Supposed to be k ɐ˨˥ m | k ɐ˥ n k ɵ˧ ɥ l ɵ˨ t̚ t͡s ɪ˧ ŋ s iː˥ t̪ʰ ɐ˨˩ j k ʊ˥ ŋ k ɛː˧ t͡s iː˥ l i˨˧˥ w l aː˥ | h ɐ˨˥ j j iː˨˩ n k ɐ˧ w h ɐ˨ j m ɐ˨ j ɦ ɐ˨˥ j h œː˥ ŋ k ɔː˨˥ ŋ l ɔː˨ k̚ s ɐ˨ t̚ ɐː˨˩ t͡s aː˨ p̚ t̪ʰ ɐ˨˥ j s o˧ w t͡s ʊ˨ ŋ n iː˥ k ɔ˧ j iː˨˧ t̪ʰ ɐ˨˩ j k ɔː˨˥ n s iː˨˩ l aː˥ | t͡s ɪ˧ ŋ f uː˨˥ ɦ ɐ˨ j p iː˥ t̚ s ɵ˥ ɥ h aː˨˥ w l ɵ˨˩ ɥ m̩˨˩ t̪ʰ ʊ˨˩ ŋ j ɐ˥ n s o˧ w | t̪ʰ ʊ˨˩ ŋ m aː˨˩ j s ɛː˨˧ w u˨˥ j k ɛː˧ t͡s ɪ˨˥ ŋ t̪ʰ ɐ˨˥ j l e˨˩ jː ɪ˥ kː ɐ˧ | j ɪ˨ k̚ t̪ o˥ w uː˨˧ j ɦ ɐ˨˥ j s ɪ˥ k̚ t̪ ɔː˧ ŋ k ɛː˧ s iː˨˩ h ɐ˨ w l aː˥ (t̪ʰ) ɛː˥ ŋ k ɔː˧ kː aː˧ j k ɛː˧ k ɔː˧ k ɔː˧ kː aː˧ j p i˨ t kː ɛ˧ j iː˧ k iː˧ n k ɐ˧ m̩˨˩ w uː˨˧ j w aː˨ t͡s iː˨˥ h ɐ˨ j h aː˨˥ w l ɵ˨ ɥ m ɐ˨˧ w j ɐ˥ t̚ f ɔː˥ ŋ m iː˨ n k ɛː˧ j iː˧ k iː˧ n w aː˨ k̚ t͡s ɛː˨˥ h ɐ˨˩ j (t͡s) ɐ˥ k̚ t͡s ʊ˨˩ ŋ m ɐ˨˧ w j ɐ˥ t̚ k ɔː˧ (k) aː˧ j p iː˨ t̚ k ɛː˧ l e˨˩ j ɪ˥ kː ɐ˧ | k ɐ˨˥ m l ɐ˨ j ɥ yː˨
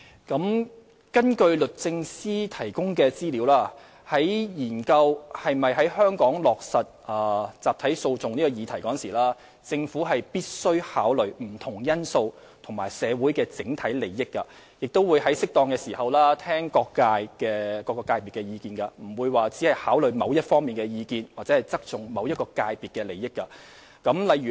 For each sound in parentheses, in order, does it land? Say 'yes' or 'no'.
yes, yes, yes

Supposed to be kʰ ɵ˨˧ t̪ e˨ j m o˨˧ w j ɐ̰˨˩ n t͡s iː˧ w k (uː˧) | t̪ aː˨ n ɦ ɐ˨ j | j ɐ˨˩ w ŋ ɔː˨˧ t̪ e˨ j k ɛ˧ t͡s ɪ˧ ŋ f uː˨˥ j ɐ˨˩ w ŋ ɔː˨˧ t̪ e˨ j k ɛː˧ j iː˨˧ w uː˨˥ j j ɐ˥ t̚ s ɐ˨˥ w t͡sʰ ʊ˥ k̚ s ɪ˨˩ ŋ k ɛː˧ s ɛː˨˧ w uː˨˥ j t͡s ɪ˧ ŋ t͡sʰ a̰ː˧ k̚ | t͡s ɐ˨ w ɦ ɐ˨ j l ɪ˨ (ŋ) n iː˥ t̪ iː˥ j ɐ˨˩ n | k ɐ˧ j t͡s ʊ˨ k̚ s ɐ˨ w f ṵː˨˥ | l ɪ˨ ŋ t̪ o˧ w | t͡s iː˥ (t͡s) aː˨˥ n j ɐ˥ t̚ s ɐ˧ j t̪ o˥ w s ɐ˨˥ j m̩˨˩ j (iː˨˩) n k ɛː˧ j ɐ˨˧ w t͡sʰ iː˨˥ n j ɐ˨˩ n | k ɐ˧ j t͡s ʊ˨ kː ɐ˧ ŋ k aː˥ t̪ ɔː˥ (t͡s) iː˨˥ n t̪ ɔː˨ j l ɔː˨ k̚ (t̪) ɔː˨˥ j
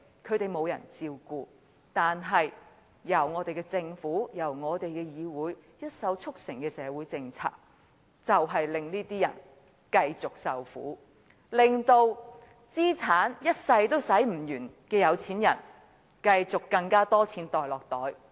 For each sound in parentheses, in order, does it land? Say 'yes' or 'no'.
yes, yes, no, no, no, yes

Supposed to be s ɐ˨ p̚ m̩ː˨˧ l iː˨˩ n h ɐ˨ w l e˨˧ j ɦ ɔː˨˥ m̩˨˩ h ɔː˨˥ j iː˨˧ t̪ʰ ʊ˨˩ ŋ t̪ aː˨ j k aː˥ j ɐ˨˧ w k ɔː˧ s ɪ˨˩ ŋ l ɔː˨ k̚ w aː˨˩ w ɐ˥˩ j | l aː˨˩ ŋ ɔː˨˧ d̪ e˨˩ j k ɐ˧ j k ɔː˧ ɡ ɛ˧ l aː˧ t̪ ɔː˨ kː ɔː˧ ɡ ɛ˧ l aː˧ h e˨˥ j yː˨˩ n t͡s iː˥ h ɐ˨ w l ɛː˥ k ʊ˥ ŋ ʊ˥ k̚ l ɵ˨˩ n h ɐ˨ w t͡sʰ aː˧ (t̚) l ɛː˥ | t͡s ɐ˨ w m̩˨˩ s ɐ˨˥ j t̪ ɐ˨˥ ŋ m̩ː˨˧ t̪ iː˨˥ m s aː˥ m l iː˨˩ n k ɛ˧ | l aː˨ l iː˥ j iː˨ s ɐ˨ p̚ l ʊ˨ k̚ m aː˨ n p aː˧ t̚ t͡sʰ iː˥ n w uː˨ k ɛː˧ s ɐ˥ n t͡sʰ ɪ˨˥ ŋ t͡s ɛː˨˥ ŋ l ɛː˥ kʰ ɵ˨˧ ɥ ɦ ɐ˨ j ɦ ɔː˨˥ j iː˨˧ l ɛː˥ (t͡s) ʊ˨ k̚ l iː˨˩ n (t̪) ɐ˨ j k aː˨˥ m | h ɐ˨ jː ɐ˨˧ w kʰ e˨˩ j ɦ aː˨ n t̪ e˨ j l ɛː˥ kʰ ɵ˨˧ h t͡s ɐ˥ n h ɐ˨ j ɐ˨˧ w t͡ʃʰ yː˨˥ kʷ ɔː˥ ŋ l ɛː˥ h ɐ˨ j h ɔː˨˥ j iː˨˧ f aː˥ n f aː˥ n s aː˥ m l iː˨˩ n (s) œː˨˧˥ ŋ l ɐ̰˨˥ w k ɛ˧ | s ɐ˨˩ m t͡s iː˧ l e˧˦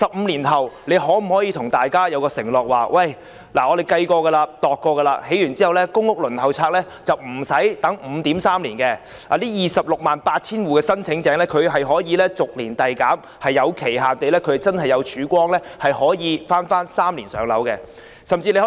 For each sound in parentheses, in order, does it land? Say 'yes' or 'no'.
no, yes, yes, yes

